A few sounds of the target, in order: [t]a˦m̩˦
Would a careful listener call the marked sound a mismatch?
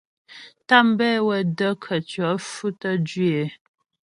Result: no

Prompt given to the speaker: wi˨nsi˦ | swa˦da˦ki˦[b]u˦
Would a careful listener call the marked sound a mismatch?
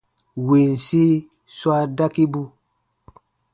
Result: no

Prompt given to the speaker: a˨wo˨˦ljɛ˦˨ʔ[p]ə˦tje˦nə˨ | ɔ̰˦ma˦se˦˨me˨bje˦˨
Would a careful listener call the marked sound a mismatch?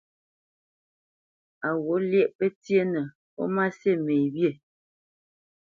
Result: no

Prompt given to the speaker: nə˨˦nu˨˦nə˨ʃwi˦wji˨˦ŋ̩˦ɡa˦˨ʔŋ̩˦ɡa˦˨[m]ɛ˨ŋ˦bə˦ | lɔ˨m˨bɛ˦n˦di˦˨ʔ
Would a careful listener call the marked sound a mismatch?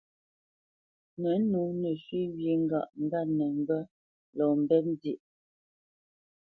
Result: yes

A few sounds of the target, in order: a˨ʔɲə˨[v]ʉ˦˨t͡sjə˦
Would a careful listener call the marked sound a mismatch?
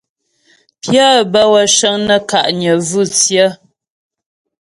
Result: no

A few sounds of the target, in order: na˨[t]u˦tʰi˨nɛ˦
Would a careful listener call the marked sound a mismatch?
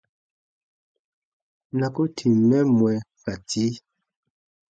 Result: yes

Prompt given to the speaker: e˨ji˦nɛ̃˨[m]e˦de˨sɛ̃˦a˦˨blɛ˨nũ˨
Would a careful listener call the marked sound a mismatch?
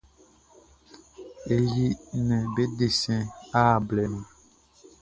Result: yes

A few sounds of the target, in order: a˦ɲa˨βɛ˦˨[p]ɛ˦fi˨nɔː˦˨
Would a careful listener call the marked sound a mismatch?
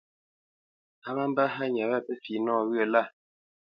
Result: no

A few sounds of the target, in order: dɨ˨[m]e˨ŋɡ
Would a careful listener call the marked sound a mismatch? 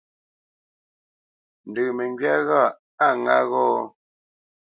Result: no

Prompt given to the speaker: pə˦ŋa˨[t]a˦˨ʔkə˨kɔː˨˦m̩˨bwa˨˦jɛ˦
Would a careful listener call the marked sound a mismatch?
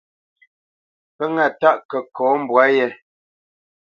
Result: no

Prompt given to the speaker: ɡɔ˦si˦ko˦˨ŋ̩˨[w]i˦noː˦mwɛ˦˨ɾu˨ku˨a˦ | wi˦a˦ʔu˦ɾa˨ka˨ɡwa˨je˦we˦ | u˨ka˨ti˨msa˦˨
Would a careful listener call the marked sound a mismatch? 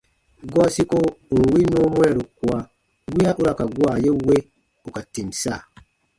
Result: no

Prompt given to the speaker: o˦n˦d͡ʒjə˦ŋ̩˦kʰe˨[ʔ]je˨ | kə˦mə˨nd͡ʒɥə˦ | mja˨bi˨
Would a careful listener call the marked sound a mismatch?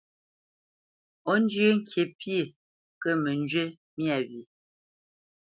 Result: yes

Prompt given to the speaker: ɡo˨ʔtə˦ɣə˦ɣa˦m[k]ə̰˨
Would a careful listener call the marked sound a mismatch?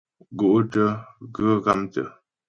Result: yes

